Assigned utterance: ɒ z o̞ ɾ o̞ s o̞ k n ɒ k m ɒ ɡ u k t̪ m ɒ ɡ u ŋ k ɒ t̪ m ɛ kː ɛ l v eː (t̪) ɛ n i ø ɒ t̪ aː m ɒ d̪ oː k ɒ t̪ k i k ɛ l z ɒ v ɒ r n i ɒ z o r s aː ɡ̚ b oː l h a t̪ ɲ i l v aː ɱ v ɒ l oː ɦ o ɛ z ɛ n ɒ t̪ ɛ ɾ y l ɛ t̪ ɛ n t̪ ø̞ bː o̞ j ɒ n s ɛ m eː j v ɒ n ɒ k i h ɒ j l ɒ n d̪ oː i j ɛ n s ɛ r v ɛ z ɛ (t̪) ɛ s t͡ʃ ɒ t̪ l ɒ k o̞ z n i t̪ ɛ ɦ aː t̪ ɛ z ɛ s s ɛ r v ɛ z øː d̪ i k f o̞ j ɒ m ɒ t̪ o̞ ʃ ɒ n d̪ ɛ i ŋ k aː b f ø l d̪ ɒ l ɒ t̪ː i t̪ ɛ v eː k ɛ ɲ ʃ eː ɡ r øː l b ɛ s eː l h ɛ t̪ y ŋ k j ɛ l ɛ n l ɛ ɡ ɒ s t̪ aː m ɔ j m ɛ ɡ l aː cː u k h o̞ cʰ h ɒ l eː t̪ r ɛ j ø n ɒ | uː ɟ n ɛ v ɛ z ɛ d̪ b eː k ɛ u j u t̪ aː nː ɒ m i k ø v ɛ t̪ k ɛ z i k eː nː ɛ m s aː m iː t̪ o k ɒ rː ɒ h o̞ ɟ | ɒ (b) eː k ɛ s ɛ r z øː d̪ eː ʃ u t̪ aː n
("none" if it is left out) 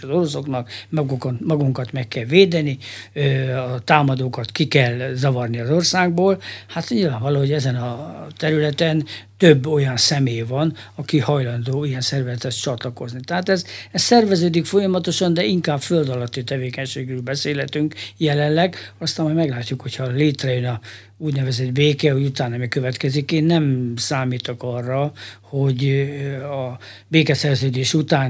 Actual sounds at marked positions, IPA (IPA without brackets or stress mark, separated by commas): d̪, t̪, b